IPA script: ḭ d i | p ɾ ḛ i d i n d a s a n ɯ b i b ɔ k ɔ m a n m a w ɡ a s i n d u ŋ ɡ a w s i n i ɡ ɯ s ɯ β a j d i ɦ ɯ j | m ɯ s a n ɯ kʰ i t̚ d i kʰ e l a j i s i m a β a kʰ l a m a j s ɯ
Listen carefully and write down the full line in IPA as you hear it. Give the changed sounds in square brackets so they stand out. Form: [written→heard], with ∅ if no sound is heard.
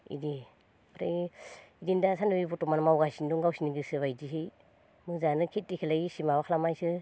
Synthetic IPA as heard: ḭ d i | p ɾ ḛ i d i n d a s a n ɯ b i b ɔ [k→t] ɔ m a n m a w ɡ a s i n d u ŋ ɡ a w s i n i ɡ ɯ s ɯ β a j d i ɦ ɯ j | m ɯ [s→z] a n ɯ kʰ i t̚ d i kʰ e l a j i s i m a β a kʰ l a m a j s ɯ